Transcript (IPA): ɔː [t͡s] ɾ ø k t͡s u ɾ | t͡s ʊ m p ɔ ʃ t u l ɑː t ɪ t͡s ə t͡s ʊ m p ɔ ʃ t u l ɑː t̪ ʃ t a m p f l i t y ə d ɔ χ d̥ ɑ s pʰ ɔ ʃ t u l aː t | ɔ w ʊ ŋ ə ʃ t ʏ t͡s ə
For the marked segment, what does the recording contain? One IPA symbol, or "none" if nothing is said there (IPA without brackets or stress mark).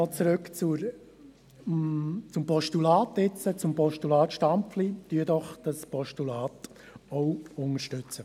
t͡s